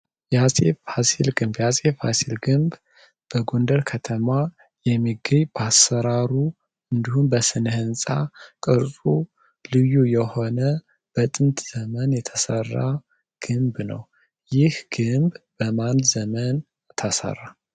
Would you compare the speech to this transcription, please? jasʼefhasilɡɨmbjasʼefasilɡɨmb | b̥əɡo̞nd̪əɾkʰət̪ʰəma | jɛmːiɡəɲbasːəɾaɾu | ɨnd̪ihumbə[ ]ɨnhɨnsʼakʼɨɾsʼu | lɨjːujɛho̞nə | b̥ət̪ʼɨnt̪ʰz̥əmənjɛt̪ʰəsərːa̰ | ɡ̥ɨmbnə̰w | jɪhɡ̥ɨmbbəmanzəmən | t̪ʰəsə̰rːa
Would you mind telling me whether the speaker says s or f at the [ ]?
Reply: s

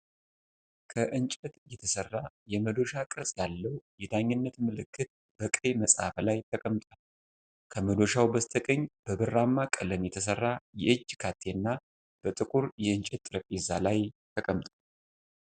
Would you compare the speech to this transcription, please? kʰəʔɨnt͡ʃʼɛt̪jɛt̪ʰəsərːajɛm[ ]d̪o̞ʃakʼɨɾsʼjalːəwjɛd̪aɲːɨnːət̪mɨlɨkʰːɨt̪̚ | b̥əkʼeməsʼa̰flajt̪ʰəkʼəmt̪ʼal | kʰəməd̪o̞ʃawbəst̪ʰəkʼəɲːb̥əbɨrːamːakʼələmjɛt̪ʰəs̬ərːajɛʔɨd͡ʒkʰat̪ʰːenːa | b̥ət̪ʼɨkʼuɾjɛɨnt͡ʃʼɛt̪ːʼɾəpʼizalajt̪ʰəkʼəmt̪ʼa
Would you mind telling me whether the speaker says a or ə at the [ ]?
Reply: ə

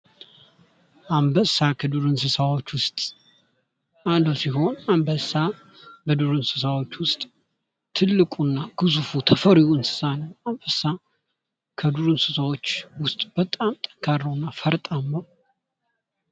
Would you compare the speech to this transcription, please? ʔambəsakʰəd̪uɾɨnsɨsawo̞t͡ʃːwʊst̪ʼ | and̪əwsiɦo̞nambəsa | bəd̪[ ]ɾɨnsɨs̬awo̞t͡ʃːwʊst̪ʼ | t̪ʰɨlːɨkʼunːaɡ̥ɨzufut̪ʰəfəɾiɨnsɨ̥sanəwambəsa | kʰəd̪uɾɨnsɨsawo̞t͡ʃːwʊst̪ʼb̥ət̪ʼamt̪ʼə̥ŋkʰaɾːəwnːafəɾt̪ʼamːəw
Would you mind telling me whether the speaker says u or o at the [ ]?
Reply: u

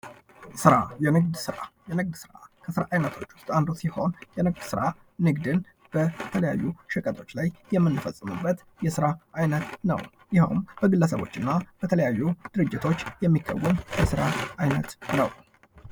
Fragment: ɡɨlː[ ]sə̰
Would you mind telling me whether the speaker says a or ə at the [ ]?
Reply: ə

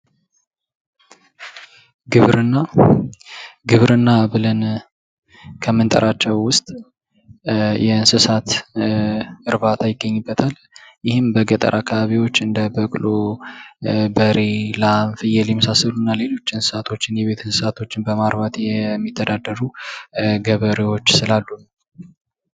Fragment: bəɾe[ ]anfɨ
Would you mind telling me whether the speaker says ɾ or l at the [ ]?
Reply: l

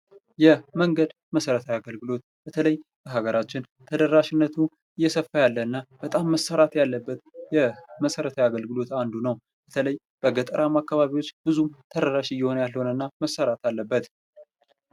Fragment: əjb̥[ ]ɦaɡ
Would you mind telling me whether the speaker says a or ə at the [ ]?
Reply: ə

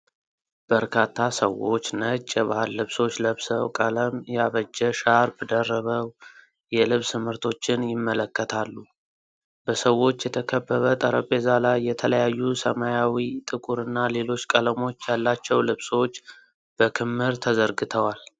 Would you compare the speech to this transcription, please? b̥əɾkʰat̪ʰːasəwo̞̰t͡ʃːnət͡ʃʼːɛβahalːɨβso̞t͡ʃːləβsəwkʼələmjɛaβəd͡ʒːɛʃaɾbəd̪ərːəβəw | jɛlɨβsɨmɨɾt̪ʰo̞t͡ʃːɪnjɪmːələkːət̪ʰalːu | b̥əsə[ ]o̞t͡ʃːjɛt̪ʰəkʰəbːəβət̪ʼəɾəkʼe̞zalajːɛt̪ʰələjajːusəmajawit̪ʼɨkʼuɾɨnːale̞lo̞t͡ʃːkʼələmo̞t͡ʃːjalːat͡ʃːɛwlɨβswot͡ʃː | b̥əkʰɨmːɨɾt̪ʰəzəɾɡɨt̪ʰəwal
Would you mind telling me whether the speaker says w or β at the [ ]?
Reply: w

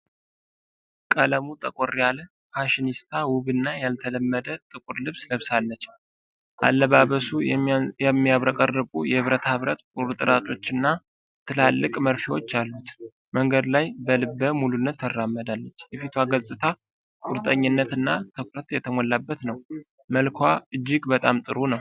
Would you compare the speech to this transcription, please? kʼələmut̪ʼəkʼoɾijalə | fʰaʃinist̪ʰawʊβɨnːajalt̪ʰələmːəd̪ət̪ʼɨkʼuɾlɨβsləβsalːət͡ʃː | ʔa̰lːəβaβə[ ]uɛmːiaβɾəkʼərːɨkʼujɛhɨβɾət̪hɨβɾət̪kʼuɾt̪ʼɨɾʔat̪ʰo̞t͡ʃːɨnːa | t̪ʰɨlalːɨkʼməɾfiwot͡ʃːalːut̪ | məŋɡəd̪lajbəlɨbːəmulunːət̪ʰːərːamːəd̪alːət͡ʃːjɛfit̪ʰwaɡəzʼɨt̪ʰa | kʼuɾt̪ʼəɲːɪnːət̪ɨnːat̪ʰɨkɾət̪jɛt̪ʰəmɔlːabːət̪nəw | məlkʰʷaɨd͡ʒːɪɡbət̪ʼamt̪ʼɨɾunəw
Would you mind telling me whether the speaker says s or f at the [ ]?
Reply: s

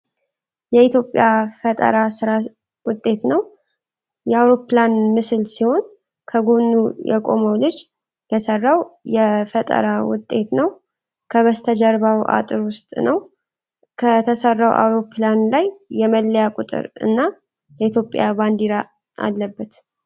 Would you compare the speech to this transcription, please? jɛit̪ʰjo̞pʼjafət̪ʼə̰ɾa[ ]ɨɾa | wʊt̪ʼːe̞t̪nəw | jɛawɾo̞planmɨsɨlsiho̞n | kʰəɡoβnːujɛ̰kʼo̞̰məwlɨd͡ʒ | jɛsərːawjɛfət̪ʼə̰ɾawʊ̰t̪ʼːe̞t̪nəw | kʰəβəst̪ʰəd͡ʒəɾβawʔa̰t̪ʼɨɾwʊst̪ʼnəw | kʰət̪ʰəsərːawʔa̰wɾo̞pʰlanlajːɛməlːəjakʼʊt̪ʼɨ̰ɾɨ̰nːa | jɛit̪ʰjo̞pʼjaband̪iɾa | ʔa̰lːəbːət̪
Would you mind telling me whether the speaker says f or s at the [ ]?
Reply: s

